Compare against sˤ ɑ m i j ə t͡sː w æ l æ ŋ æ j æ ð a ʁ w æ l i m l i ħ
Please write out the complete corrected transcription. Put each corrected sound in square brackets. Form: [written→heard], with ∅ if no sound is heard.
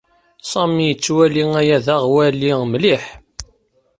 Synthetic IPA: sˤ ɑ m i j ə t͡sː w æ l [æ→i] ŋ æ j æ ð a ʁ w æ l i m l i ħ